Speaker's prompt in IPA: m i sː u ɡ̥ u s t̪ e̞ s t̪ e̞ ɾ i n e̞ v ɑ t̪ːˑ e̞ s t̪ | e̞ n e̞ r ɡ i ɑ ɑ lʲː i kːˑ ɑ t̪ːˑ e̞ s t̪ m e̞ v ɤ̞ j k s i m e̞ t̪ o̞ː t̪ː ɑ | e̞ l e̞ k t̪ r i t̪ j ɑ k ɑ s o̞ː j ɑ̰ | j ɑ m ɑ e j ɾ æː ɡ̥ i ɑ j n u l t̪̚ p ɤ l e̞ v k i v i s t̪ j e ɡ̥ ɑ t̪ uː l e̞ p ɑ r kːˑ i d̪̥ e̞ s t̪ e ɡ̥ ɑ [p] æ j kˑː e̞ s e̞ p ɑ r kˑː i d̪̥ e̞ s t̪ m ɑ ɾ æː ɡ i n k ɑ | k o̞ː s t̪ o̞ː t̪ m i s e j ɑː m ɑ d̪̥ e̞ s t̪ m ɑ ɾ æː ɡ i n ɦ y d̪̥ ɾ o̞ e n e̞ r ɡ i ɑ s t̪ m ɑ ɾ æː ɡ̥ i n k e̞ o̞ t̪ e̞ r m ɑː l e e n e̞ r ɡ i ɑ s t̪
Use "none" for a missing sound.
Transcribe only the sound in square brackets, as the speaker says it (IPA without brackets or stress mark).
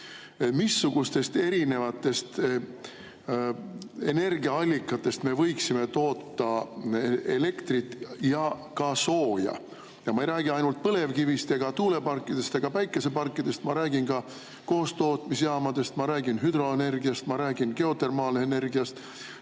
p